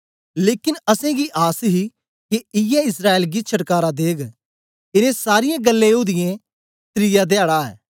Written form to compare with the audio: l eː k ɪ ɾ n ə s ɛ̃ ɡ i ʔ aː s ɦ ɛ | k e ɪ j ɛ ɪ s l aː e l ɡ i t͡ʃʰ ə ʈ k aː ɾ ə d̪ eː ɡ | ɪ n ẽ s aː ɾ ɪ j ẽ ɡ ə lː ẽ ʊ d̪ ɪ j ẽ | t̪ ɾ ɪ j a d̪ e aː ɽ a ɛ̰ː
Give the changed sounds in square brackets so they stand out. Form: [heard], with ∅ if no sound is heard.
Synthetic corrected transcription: l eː k ɪ [∅] n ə s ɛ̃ ɡ i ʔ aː s ɦ [i] | k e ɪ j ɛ ɪ s [ɾ] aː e l ɡ i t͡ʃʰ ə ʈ k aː ɾ [a] d̪ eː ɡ | ɪ n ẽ s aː ɾ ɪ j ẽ ɡ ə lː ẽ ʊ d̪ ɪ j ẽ | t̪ ɾ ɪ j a d̪ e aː ɽ a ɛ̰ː